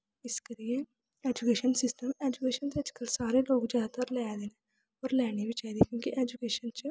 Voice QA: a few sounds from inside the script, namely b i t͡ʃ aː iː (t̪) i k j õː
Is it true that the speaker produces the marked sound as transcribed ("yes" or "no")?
no